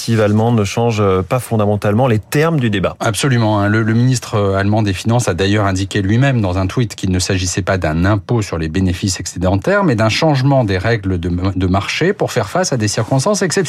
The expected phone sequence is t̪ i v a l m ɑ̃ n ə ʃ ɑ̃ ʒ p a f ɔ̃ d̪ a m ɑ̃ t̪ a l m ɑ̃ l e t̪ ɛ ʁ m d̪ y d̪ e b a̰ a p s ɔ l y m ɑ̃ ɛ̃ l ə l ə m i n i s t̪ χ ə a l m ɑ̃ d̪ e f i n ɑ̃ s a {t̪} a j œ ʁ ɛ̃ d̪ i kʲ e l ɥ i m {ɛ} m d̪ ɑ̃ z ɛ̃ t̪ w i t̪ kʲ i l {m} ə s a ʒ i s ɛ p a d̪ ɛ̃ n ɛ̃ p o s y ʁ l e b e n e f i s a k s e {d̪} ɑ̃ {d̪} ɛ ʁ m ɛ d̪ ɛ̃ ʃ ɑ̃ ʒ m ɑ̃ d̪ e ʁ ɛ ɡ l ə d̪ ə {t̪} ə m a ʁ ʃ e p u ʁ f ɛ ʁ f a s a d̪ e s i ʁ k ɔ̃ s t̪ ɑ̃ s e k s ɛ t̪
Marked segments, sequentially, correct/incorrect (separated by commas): incorrect, correct, incorrect, correct, incorrect, incorrect